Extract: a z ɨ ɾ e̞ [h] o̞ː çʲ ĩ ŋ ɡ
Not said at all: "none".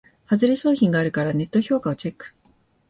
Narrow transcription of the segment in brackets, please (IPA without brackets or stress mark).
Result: ɕ